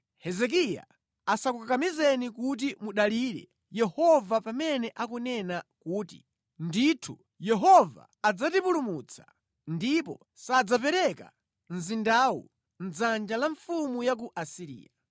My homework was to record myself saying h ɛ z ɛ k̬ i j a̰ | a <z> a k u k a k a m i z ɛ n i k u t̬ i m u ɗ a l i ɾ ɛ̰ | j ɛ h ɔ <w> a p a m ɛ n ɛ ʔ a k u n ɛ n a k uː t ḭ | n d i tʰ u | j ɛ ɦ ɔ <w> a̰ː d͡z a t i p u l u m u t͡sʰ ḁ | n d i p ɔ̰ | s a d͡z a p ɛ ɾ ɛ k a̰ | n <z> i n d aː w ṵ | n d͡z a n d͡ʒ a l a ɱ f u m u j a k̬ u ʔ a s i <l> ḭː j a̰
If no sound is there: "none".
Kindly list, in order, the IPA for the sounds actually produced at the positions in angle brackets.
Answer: s, v, v, z, ɾ

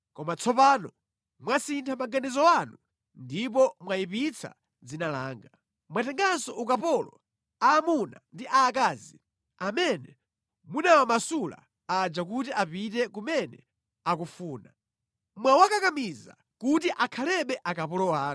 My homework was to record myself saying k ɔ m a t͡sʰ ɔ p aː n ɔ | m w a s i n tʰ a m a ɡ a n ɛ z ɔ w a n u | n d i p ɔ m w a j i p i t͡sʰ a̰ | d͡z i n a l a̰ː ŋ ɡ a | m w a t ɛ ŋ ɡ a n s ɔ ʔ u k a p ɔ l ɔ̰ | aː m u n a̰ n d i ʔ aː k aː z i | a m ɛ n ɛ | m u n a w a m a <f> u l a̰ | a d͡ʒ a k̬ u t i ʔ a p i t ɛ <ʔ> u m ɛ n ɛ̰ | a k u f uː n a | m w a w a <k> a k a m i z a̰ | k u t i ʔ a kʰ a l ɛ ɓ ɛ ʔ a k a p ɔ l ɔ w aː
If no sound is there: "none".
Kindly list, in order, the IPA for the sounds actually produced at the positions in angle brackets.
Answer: s, k, k

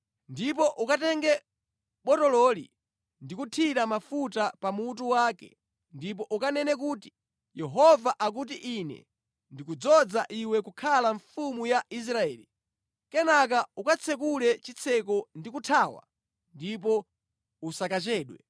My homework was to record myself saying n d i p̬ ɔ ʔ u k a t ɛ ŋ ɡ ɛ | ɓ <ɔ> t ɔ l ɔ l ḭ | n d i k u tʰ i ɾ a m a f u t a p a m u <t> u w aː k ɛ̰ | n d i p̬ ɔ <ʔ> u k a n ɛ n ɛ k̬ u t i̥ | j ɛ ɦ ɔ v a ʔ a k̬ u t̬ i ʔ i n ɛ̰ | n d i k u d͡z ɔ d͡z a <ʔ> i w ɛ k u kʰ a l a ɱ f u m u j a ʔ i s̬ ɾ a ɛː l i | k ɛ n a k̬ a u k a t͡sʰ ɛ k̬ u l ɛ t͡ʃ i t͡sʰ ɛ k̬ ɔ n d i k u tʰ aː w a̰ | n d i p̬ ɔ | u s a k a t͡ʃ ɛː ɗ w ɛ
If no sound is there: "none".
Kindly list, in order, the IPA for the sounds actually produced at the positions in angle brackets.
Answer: ɔ, t, ʔ, ʔ

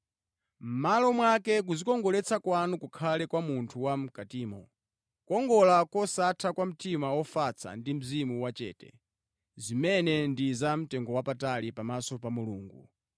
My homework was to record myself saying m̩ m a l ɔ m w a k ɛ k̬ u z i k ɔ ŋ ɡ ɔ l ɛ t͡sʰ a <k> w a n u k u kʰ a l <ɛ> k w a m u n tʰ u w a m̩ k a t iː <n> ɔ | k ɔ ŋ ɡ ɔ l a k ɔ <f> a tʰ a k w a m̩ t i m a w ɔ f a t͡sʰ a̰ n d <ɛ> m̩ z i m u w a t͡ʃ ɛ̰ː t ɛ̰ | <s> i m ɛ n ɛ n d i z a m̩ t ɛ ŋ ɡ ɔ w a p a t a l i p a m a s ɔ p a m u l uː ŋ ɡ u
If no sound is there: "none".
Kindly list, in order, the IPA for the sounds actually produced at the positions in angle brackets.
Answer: k, ɛ, m, s, i, z

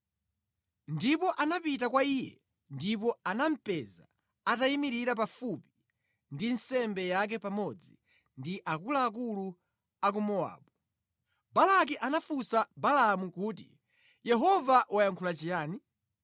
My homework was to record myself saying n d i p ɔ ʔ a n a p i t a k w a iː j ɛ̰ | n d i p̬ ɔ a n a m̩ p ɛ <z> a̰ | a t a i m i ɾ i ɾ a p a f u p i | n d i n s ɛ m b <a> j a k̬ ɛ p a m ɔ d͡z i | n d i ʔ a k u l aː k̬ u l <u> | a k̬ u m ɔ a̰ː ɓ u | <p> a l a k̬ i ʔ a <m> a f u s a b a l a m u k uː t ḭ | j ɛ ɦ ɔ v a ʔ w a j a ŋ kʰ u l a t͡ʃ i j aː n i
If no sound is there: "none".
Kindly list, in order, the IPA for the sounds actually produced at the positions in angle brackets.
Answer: z, ɛ, u, b, n

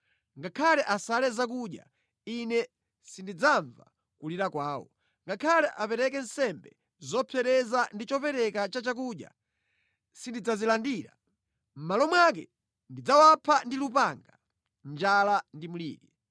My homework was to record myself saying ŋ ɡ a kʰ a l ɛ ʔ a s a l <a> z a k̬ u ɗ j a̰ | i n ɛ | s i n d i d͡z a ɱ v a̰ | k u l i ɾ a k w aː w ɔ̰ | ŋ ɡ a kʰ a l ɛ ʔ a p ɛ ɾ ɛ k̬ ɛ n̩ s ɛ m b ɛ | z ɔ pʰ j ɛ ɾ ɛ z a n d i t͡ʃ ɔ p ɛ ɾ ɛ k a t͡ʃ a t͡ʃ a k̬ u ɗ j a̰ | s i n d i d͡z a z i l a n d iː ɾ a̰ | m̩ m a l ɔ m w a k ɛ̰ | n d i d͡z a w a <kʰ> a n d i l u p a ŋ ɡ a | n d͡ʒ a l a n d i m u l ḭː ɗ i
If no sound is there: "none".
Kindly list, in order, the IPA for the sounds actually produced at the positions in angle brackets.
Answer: ɛ, pʰ

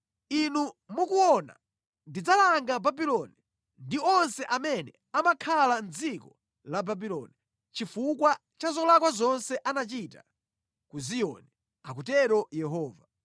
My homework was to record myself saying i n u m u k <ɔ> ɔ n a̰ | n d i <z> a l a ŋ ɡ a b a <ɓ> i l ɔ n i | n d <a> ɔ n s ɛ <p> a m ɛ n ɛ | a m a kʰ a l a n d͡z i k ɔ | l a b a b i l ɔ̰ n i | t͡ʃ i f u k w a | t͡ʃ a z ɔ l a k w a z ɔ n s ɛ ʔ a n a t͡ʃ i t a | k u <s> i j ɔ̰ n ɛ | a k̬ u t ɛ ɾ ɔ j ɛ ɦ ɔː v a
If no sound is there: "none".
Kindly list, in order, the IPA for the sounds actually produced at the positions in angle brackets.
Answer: u, d͡z, b, i, ʔ, z

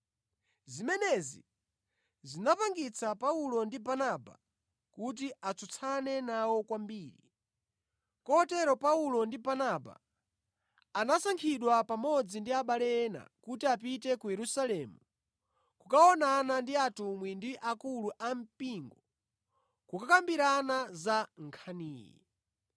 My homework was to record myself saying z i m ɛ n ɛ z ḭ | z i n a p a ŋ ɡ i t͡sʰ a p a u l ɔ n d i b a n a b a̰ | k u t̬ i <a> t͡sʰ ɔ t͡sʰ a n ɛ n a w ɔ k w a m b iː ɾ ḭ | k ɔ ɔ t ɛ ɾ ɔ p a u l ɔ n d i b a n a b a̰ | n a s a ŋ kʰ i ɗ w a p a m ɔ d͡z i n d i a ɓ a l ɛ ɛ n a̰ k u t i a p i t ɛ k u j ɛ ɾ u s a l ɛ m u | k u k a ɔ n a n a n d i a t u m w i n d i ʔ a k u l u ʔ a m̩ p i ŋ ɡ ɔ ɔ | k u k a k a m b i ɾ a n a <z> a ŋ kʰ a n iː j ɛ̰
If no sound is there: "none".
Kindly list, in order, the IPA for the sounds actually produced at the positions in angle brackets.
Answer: a, z

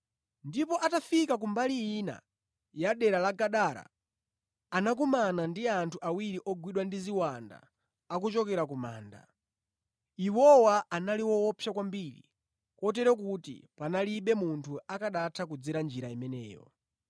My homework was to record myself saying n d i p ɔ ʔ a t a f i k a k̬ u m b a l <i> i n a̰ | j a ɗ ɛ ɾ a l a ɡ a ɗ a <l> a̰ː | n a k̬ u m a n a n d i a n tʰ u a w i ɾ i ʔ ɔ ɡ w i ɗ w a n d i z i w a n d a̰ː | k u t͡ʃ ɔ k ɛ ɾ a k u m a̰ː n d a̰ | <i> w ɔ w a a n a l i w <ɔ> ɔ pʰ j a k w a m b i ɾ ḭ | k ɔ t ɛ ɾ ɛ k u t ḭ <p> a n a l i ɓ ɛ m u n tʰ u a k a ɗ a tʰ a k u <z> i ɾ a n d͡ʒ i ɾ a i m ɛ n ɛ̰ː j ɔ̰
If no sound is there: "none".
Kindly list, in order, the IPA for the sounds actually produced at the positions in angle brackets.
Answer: i, ɾ, i, ɔ, p, d͡z

